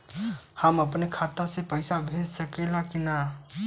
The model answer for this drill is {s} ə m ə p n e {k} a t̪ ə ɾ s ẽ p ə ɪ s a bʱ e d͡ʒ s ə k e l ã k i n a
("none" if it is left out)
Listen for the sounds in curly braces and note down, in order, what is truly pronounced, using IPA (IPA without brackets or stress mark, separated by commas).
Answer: h, kʰ